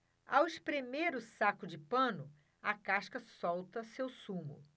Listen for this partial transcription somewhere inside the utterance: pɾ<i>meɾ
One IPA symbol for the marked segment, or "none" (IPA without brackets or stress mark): e